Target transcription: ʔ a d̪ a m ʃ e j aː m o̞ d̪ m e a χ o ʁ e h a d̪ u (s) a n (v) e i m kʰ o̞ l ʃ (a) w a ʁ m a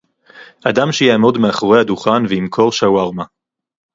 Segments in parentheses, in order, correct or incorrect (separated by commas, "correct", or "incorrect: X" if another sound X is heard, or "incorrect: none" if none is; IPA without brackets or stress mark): incorrect: χ, correct, correct